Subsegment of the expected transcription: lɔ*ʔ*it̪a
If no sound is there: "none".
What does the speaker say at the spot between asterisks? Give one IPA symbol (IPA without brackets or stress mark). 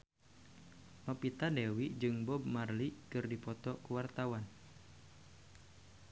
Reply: p